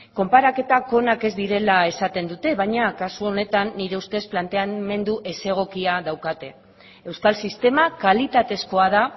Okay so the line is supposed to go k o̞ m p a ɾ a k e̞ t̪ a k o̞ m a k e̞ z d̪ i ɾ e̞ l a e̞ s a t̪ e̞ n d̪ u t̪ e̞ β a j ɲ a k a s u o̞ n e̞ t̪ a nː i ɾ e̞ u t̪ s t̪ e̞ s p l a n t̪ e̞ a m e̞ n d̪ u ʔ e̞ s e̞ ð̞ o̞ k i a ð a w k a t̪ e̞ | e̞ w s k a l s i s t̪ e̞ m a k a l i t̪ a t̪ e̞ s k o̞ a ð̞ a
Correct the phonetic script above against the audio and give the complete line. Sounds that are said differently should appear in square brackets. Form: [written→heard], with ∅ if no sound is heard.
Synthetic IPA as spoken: k o̞ m p a ɾ a k e̞ t̪ a k o̞ [m→n] a k e̞ z d̪ i ɾ e̞ l a e̞ s a t̪ e̞ n d̪ u t̪ e̞ β a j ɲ a k a s u o̞ n e̞ t̪ a nː i ɾ e̞ u [t̪→∅] s t̪ e̞ s p l a n t̪ e̞ a m e̞ n d̪ u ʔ e̞ s e̞ [ð̞→ɣ̞] o̞ k i a ð a w k a t̪ e̞ | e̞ w s k a l s i s t̪ e̞ m a k a l i t̪ a t̪ e̞ s k o̞ a ð̞ a

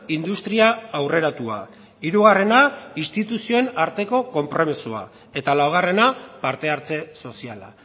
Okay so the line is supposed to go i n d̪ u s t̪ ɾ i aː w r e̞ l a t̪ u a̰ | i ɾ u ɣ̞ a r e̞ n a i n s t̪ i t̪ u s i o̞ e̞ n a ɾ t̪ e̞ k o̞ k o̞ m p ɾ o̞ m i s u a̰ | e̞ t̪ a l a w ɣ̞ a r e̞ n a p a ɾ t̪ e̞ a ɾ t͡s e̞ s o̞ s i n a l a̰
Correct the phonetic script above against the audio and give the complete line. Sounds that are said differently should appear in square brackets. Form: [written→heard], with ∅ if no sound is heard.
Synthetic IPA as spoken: i n d̪ u s t̪ ɾ i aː w r e̞ [l→ɾ] a t̪ u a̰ | i ɾ u ɣ̞ a r e̞ n a i n s t̪ i t̪ u s i o̞ e̞ n a ɾ t̪ e̞ k o̞ k o̞ m p ɾ o̞ m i s u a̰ | e̞ t̪ a l a w ɣ̞ a r e̞ n a p a ɾ t̪ e̞ a ɾ t͡s e̞ s o̞ s i [n→∅] a l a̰

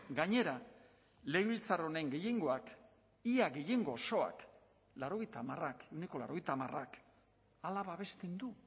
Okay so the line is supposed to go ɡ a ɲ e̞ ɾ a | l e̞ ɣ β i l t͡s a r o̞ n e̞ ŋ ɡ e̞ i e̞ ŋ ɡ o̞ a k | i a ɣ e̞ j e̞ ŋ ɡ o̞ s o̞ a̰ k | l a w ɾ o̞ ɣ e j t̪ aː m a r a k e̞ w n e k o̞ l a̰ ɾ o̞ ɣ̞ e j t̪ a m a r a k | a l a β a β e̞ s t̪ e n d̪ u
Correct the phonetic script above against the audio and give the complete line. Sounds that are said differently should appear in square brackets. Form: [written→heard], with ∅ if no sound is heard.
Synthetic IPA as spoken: ɡ a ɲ e̞ ɾ a | l e̞ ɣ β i l t͡s a r o̞ n e̞ ŋ ɡ e̞ [i→j] e̞ ŋ ɡ o̞ a k | i a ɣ e̞ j e̞ ŋ ɡ o̞ s o̞ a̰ k | l a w ɾ o̞ ɣ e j t̪ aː m a r a k e̞ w n e k o̞ l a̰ ɾ o̞ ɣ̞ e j t̪ a m a r a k | a l a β a β e̞ s t̪ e n d̪ u

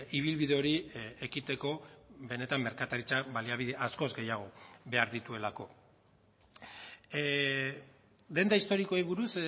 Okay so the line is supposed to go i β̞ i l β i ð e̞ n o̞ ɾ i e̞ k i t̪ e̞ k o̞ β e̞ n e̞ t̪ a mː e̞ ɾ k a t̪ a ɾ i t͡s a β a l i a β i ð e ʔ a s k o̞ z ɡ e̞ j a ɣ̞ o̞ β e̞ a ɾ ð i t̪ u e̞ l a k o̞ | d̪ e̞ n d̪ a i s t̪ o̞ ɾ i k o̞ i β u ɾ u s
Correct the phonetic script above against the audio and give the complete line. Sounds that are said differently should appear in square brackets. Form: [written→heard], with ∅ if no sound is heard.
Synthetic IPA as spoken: i β̞ i l β i ð e̞ [n→∅] o̞ ɾ i e̞ k i t̪ e̞ k o̞ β e̞ n e̞ t̪ a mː e̞ ɾ k a t̪ a ɾ i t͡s a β a l i a β i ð e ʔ a s k o̞ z ɡ e̞ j a ɣ̞ o̞ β e̞ a ɾ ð i t̪ u e̞ l a k o̞ | d̪ e̞ n d̪ a i s t̪ o̞ ɾ i k o̞ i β u ɾ u s

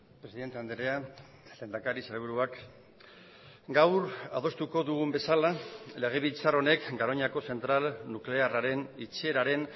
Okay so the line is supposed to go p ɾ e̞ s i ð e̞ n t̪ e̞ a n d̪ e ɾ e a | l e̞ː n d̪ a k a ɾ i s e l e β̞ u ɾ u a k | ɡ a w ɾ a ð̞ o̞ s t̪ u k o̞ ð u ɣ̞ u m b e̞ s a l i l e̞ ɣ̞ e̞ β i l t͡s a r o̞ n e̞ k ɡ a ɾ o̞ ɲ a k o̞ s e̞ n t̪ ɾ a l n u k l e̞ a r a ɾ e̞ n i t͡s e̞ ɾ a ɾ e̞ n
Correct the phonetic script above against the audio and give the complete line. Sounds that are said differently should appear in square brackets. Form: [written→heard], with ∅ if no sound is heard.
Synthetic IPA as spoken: p ɾ e̞ s i ð e̞ n t̪ e̞ a n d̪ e ɾ e a | l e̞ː n d̪ a k a ɾ i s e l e β̞ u ɾ u a k | ɡ a w ɾ a ð̞ o̞ s t̪ u k o̞ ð u ɣ̞ u m b e̞ s a l [i→a] l e̞ ɣ̞ e̞ β i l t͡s a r o̞ n e̞ k ɡ a ɾ o̞ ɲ a k o̞ s e̞ n t̪ ɾ a l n u k l e̞ a r a ɾ e̞ n i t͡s e̞ ɾ a ɾ e̞ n

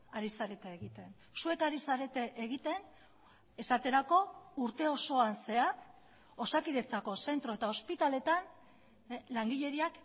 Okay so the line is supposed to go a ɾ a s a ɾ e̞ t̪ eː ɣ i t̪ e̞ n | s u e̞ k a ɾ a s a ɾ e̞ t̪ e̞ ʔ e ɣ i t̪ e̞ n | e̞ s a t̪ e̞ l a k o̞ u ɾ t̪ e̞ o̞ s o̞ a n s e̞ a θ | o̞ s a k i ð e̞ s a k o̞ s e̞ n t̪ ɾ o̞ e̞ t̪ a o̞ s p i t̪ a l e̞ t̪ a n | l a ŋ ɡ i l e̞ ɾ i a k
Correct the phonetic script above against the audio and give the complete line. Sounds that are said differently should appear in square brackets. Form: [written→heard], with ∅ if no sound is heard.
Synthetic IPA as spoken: a ɾ [a→i] s a ɾ e̞ t̪ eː ɣ i t̪ e̞ n | s u e̞ k a ɾ [a→i] s a ɾ e̞ t̪ e̞ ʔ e ɣ i t̪ e̞ n | e̞ s a t̪ e̞ [l→ɾ] a k o̞ u ɾ t̪ e̞ o̞ s o̞ a n s e̞ a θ | o̞ s a k i ð e̞ [s→t͡s] a k o̞ s e̞ n t̪ ɾ o̞ e̞ t̪ a o̞ s p i t̪ a l e̞ t̪ a n | l a ŋ ɡ i [l→ʎ] e̞ ɾ i a k

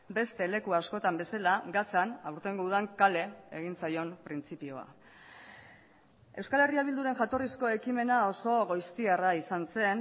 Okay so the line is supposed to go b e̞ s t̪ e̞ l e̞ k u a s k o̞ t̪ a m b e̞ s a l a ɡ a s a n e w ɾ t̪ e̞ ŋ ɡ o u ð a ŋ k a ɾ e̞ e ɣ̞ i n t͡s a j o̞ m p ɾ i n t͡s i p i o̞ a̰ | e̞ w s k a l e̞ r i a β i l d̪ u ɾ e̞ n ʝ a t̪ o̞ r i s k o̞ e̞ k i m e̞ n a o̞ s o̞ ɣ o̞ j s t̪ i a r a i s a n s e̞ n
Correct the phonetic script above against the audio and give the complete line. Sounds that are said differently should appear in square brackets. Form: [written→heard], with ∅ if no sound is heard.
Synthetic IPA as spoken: b e̞ s t̪ e̞ l e̞ k u a s k o̞ t̪ a m b e̞ s a l a ɡ a s a n [e→a] w ɾ t̪ e̞ ŋ ɡ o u ð a ŋ k a [ɾ→l] e̞ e ɣ̞ i n t͡s a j o̞ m p ɾ i n t͡s i p i o̞ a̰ | e̞ w s k a l e̞ r i a β i l d̪ u ɾ e̞ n ʝ a t̪ o̞ r i s k o̞ e̞ k i m e̞ n a o̞ s o̞ ɣ o̞ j s t̪ i a r a i s a n s e̞ n

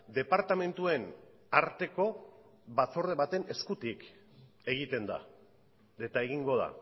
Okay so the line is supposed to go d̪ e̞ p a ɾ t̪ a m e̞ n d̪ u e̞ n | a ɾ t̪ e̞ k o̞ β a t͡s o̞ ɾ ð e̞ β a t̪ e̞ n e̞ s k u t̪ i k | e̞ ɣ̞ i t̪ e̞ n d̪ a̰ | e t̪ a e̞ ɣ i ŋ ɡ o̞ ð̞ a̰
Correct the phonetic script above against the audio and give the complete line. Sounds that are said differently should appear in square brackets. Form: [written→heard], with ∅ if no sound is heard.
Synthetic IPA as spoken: d̪ e̞ p a ɾ t̪ a m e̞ n [d̪→t̪] u e̞ n | a ɾ t̪ e̞ k o̞ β a t͡s o̞ ɾ ð e̞ β a t̪ e̞ n e̞ s k u t̪ i k | e̞ ɣ̞ i t̪ e̞ n d̪ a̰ | e t̪ a e̞ ɣ i ŋ ɡ o̞ ð̞ a̰

